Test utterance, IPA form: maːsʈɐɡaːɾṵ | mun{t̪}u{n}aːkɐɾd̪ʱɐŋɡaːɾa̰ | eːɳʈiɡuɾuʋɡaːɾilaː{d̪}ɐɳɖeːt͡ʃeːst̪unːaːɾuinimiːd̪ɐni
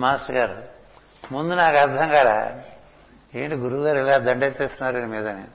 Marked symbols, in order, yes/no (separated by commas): no, yes, yes